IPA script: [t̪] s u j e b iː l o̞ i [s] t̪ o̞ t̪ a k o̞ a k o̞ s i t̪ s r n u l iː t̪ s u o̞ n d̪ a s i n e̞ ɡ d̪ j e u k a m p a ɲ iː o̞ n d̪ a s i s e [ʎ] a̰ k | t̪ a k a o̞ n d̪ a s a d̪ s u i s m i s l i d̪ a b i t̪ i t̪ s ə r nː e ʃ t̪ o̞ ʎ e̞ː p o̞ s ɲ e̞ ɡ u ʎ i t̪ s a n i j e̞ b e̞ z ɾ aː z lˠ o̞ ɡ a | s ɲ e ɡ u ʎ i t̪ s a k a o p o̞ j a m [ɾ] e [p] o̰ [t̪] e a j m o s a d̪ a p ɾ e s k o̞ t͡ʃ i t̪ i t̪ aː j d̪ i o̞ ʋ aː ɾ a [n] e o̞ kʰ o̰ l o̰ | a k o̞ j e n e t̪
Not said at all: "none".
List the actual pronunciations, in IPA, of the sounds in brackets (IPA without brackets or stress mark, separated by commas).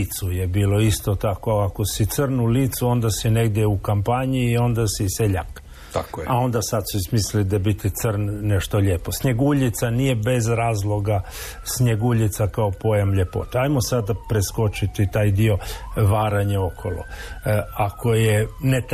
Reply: t̪, s, ʎ, ʎ, p, t̪, ɲ